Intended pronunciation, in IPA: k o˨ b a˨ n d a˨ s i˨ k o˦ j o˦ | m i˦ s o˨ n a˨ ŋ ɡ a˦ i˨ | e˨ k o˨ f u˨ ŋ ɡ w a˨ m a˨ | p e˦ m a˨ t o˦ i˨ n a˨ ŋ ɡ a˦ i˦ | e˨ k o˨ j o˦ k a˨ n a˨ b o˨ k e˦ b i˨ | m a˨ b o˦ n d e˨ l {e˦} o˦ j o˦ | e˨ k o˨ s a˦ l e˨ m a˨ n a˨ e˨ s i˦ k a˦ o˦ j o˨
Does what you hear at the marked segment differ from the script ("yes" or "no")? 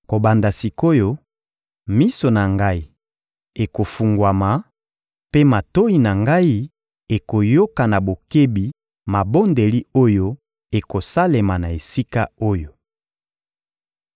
yes